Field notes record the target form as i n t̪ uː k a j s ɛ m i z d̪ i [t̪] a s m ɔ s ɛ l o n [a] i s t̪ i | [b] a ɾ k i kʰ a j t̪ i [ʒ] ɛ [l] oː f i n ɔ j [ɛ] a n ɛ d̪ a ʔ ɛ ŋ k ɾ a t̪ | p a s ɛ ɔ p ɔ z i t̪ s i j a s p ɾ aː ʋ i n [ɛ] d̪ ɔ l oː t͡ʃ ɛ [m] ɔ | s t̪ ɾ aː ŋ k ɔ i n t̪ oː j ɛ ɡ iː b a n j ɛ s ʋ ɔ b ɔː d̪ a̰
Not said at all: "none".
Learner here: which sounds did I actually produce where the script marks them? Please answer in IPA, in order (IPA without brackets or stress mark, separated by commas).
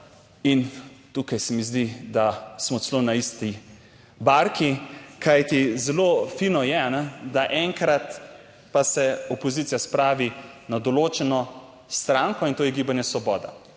d̪, a, b, z, l, ɛ, a, n